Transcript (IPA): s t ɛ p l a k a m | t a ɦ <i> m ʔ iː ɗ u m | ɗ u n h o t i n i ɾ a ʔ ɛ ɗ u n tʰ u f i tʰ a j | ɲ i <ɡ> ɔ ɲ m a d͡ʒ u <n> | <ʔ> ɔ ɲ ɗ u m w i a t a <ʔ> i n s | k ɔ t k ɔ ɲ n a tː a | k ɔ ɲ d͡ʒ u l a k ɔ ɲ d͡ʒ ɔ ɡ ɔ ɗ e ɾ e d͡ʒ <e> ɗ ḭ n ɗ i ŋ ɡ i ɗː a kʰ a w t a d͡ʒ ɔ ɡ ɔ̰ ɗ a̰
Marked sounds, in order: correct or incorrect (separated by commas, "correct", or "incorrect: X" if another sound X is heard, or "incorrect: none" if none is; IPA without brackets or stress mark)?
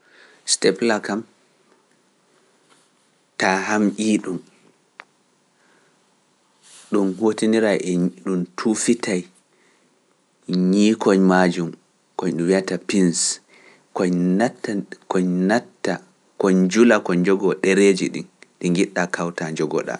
incorrect: a, incorrect: k, incorrect: m, incorrect: k, incorrect: p, incorrect: i